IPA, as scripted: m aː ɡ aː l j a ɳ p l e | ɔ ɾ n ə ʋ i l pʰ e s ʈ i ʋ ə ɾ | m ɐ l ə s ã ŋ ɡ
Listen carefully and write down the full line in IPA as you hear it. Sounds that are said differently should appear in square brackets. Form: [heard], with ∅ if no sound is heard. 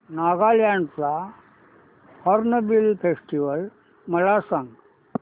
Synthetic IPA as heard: [n] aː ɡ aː l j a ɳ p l [a] | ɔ ɾ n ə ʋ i l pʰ e s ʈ i ʋ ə [l] | m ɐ l [a] s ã ŋ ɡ